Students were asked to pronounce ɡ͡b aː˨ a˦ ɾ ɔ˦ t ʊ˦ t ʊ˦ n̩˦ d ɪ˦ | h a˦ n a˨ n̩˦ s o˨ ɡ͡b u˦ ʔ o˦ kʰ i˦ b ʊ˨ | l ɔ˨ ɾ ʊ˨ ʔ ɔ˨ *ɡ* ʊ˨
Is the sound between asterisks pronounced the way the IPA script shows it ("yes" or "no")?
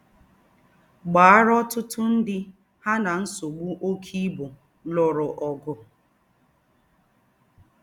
yes